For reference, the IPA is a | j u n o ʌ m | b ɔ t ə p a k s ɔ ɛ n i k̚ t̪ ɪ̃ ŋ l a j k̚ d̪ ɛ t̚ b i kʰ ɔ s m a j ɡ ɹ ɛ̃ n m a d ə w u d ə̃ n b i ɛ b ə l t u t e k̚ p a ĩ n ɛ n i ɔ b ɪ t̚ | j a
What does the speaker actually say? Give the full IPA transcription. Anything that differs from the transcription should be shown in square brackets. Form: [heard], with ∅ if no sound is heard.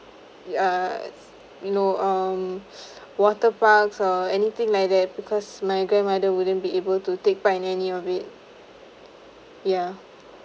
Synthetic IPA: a | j u n o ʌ m | [w] ɔ t ə p a k s ɔ ɛ n i [∅] t̪ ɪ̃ ŋ l a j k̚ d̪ ɛ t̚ b i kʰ ɔ s m a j ɡ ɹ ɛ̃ n m a d ə w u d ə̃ n b i [e] b ə l t u t e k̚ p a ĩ n ɛ n i ɔ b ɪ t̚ | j a